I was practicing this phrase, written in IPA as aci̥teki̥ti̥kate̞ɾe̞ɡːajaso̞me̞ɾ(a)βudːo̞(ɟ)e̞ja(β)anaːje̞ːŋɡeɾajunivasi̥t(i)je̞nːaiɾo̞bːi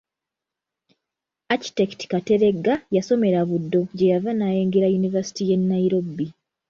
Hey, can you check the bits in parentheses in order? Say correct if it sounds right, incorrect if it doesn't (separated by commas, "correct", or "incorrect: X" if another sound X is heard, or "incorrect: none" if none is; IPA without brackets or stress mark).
correct, correct, incorrect: v, correct